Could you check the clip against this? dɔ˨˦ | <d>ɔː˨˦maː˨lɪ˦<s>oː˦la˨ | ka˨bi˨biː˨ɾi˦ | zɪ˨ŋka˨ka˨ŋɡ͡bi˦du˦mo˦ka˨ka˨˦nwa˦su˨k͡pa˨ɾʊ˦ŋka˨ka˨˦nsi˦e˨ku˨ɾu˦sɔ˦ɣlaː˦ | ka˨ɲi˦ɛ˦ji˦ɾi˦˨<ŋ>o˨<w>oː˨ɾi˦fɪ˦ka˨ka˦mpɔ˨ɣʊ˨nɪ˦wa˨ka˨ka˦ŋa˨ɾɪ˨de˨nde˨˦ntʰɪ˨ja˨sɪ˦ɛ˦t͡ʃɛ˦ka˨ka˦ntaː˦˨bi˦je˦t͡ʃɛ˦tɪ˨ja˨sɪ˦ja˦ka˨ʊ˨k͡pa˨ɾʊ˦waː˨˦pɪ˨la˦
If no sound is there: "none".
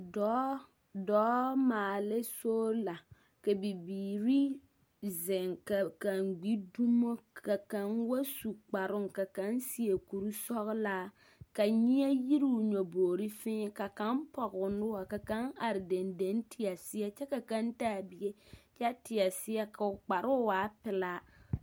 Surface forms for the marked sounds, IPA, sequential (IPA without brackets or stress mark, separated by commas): d, s, ɲ, b